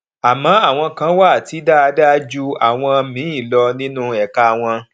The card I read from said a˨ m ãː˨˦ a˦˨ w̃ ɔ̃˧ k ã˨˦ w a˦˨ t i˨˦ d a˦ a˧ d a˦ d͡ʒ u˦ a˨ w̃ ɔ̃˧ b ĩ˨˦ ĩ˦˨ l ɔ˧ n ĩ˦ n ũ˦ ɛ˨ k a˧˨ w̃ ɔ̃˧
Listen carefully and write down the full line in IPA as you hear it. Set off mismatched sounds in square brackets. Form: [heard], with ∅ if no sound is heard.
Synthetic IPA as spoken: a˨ m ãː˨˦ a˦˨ w̃ ɔ̃˧ k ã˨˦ w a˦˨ t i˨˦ d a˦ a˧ d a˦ d͡ʒ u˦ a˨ w̃ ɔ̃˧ [m] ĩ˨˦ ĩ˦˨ l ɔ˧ n ĩ˦ n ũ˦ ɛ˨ k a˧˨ w̃ ɔ̃˧